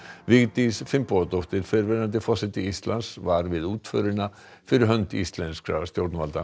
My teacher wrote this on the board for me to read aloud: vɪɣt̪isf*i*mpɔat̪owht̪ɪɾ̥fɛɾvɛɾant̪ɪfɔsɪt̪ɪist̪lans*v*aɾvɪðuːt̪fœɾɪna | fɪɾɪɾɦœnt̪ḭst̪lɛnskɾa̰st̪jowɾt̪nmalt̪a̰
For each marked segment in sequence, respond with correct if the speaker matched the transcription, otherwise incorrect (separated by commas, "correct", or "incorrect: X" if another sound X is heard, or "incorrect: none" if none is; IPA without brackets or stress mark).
incorrect: ɪ, correct